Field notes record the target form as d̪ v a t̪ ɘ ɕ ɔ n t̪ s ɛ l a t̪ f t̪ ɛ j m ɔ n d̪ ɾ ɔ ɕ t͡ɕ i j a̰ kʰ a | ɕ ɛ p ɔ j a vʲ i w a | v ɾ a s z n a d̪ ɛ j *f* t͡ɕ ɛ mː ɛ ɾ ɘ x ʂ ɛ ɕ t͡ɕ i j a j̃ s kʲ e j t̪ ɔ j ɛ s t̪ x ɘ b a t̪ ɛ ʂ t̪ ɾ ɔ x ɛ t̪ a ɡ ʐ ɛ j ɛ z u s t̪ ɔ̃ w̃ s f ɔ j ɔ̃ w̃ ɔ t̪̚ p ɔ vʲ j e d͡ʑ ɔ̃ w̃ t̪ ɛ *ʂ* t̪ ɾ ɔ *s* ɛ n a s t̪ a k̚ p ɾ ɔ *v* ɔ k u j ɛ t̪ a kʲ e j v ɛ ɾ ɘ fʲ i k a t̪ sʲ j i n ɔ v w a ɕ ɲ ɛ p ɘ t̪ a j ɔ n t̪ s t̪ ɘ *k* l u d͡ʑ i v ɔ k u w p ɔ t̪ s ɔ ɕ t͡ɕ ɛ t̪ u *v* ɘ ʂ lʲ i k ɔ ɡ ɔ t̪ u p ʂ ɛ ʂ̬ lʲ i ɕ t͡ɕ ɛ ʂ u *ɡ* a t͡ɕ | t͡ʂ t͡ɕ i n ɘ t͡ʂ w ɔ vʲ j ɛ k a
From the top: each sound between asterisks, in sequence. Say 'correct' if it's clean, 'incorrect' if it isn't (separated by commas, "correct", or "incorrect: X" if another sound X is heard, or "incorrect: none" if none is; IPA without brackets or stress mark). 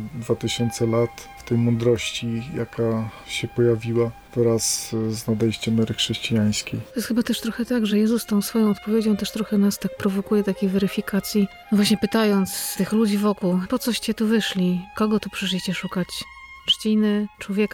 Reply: incorrect: ɕ, correct, incorrect: x, correct, incorrect: x, correct, incorrect: k